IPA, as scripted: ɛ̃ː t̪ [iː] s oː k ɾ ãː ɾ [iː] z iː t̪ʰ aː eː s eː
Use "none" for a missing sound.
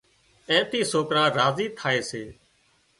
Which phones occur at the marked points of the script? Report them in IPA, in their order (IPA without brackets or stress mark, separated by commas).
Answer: iː, aː